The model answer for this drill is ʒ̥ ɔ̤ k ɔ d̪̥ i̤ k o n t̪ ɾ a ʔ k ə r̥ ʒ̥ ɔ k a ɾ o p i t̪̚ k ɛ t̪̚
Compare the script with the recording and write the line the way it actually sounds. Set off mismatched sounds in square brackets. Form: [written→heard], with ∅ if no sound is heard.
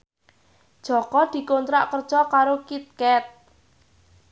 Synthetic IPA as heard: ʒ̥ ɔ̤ k ɔ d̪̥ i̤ k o n t̪ ɾ a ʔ k ə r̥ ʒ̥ ɔ k a ɾ o [p→k] i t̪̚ k ɛ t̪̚